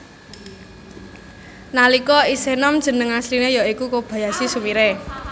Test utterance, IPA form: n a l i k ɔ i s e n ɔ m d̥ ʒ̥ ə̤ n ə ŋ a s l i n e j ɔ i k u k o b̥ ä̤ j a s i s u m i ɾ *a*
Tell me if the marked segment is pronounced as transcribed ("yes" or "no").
no